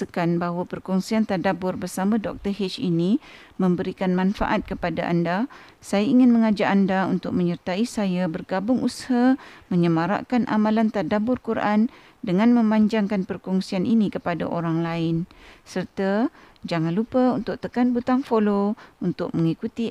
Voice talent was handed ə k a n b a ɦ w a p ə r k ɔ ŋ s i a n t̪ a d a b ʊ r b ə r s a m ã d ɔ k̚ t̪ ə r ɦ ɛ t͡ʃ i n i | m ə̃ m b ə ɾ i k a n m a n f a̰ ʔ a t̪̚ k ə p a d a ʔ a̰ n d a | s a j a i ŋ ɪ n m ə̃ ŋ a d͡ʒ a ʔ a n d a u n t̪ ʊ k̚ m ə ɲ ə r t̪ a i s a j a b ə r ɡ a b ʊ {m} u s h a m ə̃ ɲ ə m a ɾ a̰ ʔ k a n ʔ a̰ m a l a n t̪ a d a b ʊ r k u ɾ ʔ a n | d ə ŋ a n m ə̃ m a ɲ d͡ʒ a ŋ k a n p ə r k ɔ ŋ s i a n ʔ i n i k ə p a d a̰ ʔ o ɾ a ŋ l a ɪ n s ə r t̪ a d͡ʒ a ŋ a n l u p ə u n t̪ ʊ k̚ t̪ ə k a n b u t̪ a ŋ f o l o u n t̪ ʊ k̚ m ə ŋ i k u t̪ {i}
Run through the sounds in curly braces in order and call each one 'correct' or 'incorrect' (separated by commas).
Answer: incorrect, correct